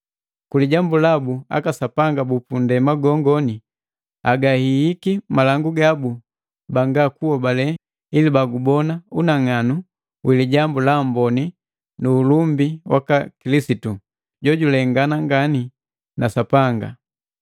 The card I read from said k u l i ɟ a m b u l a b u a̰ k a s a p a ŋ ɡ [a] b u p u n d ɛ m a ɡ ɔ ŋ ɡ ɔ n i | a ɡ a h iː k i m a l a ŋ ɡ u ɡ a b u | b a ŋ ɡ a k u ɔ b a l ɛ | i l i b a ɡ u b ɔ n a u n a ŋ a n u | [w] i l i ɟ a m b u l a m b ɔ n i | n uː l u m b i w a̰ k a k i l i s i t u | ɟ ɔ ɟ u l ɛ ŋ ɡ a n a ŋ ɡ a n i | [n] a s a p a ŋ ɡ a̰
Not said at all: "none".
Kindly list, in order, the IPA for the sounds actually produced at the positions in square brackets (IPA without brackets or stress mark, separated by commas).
a, w, n